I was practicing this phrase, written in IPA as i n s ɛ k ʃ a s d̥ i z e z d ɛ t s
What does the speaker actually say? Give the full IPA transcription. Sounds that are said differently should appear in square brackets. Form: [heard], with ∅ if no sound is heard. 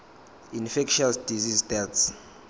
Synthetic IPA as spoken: i n [f] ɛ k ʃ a s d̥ i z [i] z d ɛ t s

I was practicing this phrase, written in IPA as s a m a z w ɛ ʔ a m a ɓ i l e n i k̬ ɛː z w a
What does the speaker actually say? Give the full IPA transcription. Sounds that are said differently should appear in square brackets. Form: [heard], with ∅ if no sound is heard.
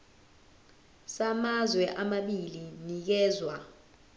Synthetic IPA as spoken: s a m a z w ɛ ʔ a m a ɓ i l [i] n i k̬ ɛː z w a

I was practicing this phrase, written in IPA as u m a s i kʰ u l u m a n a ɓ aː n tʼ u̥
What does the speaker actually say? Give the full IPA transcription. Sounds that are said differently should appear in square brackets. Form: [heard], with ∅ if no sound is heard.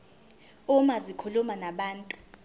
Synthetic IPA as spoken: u m a [z] i kʰ u l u m a n a ɓ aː n tʼ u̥

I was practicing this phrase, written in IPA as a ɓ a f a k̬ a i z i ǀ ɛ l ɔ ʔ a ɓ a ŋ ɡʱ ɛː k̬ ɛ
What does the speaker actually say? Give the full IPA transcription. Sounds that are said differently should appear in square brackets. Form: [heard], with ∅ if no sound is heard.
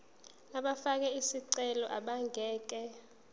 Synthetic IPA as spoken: a ɓ a f a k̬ [ɛ] i [s] i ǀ ɛ l ɔ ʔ a ɓ a ŋ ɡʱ ɛː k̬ ɛ

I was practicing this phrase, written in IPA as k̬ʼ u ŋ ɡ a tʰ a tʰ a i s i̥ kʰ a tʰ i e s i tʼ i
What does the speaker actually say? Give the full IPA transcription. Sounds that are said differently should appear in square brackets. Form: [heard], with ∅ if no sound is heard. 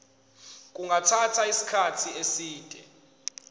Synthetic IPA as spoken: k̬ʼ u ŋ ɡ a tʰ a tʰ a i s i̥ kʰ a tʰ i e s [iː] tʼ [ɛ]

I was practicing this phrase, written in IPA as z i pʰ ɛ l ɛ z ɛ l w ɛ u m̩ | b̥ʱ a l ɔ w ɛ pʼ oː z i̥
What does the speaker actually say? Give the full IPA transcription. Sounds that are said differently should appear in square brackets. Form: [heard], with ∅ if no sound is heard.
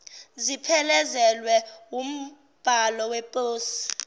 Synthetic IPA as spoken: z i pʰ ɛ l ɛ z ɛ l w ɛ u m̩ | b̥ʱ a l ɔ w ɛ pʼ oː [s] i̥

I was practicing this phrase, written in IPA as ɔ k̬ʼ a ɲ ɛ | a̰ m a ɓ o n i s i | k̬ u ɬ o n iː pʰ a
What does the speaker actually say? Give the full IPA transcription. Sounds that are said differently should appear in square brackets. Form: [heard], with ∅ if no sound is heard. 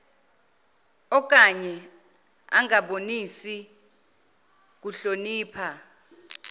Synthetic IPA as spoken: ɔ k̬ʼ a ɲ ɛ | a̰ [ŋ] a ɓ o n i s i | k̬ u ɬ o n iː pʰ a

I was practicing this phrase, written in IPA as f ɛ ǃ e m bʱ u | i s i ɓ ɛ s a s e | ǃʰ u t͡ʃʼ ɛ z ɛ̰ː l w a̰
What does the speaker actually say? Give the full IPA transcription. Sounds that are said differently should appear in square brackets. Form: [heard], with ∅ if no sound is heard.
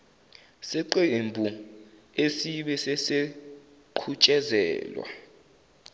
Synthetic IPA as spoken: [s] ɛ ǃ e m bʱ u | [e] s i ɓ ɛ s [ɛ] s e | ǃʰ u t͡ʃʼ ɛ z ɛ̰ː l w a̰

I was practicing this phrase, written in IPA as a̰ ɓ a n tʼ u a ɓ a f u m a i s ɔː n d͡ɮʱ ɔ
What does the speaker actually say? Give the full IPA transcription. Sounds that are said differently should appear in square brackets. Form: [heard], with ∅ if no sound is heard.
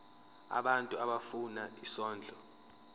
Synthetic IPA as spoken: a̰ ɓ a n tʼ u a ɓ a f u [n] a i s ɔː n d͡ɮʱ ɔ

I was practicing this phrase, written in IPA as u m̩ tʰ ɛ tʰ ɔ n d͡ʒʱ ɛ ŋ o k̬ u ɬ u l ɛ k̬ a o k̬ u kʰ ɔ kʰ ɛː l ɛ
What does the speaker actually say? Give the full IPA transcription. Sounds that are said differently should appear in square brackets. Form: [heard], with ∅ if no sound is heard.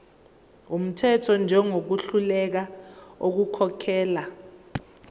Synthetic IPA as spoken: u m̩ tʰ ɛ tʰ ɔ n d͡ʒʱ ɛ ŋ o k̬ u ɬ u l ɛ k̬ a o k̬ u kʰ ɔ kʰ ɛː l [a]

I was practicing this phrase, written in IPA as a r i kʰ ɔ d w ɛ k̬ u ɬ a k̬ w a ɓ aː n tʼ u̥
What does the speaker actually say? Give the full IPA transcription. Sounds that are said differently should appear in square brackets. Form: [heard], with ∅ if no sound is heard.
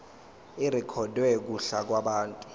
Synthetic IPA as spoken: [i] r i kʰ ɔ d w ɛ k̬ u ɬ a k̬ w a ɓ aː n tʼ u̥

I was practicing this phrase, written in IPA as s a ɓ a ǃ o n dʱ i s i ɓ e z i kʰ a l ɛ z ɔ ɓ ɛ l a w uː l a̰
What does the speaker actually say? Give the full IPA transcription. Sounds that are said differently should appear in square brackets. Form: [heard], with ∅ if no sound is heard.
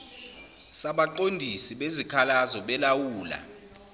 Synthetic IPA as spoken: s a ɓ a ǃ o n dʱ i s i ɓ e z i kʰ a l [a] z ɔ ɓ ɛ l a w uː l a̰

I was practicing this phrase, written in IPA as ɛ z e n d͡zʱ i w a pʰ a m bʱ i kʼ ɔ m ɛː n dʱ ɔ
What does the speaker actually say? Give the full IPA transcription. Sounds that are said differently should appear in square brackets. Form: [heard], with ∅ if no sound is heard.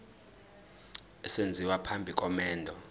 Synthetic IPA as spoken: ɛ [s] e n d͡zʱ i w a pʰ a m bʱ i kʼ ɔ m ɛː n dʱ ɔ

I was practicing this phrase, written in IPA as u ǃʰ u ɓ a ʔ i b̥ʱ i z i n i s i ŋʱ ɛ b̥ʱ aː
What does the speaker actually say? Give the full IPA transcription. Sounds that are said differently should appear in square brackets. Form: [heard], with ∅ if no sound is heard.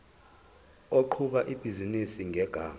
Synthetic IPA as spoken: [o] ǃʰ u ɓ a ʔ i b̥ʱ i z i n i s i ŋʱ ɛ [ɡ̥ʱ] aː

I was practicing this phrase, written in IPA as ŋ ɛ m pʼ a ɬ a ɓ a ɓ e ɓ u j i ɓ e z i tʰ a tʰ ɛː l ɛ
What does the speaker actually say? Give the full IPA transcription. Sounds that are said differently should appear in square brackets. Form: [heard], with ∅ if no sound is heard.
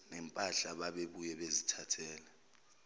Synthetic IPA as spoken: [n] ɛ m pʼ a ɬ a ɓ a ɓ e ɓ u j [ɛ] ɓ e z i tʰ a tʰ ɛː l ɛ

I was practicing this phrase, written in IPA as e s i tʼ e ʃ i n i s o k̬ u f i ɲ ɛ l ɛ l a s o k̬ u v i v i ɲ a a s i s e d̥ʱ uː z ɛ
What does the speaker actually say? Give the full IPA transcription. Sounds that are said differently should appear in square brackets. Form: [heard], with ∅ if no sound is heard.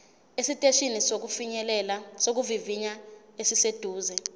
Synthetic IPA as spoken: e s i tʼ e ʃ i n i s o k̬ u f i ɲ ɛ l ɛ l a s o k̬ u v i v i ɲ a [e] s i s e d̥ʱ uː z ɛ

